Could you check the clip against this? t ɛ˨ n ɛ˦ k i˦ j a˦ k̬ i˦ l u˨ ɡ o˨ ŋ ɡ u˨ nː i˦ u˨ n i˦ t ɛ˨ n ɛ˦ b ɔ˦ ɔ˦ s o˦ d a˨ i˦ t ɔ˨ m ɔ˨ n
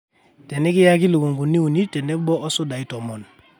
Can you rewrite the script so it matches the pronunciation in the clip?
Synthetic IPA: t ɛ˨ n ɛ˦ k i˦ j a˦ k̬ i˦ l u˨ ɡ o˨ ŋ ɡ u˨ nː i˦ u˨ n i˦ t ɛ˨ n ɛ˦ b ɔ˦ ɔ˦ s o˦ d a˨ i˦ t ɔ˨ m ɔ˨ n

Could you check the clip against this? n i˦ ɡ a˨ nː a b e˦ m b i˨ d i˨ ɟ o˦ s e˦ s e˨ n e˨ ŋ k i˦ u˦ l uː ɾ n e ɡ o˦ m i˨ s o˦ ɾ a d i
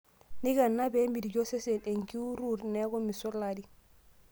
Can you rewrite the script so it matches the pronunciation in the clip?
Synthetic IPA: n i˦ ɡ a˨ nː a b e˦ m b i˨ d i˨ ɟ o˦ s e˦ s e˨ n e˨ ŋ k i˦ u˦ ɾ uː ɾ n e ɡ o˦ m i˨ s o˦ l a d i

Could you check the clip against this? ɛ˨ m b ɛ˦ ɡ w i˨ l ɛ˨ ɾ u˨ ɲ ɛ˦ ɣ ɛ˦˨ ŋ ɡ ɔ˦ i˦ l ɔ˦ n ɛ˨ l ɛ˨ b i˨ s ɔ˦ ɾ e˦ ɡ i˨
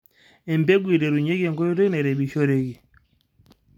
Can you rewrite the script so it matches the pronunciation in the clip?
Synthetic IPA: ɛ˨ m b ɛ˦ ɡ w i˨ ɾ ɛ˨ ɾ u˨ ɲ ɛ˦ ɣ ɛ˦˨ ŋ ɡ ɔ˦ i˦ ɾ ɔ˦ n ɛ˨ ɾ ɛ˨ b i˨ ʃ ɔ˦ ɾ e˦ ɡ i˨

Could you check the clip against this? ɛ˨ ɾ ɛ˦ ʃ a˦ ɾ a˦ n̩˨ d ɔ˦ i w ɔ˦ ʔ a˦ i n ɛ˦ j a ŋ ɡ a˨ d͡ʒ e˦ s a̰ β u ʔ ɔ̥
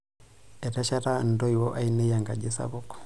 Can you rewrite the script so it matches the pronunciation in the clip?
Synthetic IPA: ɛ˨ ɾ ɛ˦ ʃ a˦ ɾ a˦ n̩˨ d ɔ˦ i w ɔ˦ ʔ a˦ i n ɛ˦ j a ŋ ɡ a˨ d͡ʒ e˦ s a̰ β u k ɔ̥

